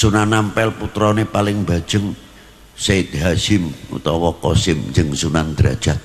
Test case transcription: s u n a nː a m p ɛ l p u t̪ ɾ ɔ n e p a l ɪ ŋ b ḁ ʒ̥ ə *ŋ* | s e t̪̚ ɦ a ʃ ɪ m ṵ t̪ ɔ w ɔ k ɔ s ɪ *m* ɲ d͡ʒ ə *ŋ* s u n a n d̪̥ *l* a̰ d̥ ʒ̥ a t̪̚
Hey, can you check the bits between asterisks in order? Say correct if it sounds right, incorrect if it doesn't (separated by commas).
correct, correct, correct, incorrect